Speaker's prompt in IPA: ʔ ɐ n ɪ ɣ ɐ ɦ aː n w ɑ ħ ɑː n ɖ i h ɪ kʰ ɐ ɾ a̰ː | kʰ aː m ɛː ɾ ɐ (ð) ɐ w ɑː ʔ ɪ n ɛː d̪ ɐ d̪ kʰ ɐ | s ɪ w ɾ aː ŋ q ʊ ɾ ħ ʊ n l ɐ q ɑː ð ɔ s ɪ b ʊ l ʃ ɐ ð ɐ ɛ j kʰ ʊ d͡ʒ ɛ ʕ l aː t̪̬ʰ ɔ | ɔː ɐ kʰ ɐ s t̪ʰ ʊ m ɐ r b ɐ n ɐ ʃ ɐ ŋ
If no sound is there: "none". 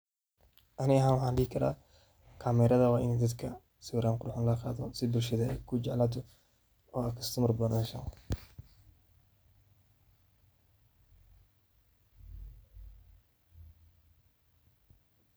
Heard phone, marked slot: ð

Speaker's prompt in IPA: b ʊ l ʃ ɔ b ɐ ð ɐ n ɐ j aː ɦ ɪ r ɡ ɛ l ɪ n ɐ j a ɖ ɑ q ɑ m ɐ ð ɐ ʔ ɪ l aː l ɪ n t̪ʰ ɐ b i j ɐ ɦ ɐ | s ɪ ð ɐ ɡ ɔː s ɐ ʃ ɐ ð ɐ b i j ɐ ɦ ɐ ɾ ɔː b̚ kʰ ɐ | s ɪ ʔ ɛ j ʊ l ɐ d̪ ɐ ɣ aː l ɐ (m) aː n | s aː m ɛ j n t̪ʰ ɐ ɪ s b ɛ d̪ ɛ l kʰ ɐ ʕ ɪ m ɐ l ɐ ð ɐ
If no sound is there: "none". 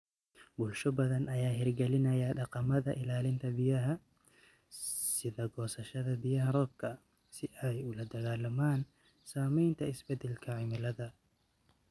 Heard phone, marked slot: m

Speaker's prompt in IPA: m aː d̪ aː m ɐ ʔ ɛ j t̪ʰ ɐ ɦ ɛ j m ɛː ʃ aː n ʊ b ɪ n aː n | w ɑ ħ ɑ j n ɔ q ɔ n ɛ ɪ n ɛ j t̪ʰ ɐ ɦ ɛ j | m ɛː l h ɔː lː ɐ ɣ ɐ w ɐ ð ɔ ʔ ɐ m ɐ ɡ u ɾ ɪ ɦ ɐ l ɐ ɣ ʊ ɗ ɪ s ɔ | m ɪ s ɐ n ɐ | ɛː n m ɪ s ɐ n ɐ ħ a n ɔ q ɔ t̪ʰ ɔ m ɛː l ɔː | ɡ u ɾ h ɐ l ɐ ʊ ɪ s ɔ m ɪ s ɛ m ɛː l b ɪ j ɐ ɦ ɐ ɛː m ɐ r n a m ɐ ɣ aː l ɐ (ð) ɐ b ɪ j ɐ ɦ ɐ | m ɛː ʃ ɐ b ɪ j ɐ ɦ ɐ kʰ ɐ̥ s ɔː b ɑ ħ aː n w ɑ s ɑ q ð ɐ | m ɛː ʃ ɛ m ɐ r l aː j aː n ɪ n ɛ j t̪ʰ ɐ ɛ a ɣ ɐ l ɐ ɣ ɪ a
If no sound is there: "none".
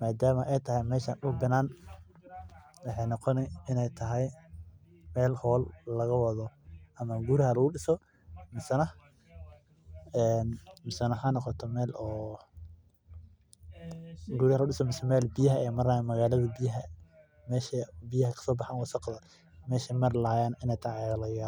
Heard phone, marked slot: ð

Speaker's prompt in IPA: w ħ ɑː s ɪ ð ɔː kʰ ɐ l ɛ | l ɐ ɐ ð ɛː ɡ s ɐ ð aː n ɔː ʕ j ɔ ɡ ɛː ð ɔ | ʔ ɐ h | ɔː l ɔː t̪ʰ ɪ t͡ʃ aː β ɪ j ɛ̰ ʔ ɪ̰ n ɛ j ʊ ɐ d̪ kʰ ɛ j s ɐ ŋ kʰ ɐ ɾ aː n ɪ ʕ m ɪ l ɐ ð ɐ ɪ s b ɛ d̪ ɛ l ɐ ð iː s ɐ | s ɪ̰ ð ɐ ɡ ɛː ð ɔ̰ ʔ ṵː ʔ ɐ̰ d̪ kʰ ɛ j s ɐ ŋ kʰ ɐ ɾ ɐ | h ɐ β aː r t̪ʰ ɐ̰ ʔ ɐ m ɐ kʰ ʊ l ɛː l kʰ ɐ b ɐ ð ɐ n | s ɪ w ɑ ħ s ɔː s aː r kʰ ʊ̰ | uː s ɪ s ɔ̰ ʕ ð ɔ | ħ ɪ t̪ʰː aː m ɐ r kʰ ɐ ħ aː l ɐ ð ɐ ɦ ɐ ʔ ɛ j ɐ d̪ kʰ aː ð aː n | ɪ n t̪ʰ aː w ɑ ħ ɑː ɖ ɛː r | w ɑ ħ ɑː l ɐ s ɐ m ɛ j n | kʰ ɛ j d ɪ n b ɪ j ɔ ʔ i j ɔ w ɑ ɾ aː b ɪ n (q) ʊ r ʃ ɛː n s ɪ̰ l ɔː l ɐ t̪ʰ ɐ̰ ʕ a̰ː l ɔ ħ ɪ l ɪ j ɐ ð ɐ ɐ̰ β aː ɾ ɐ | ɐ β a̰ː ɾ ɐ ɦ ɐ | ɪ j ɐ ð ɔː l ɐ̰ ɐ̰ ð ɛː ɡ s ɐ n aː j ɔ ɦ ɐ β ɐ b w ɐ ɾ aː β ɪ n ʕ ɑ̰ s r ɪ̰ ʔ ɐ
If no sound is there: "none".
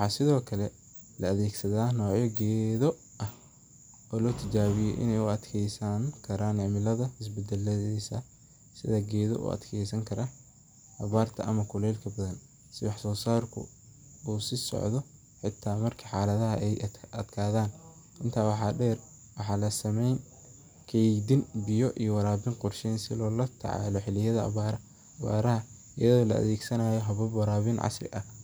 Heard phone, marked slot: q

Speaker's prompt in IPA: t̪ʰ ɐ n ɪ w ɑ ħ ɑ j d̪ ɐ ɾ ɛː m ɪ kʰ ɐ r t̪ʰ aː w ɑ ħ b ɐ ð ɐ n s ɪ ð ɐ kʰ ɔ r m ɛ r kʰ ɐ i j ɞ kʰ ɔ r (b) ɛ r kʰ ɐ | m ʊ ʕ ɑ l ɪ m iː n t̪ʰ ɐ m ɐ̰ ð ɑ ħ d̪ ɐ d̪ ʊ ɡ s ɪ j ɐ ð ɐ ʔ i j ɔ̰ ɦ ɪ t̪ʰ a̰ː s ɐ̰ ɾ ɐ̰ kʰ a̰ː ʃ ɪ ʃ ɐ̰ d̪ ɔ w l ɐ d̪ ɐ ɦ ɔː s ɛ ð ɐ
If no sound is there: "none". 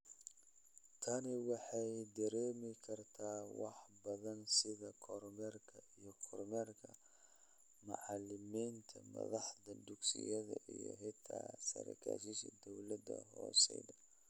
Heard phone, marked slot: m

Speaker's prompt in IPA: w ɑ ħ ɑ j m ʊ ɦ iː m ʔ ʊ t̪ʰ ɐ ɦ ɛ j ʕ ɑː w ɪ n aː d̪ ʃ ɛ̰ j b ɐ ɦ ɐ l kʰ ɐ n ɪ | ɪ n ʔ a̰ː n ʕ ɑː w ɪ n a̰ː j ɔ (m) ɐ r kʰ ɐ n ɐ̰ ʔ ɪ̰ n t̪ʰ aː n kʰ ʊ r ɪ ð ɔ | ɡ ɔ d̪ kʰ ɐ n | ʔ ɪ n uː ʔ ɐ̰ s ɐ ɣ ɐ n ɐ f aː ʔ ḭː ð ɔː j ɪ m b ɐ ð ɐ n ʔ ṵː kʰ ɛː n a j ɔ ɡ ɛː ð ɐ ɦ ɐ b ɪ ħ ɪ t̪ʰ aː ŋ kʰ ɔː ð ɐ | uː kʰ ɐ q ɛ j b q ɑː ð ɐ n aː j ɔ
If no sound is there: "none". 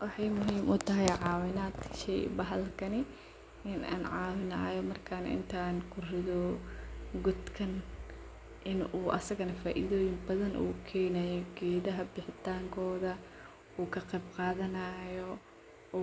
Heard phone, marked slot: m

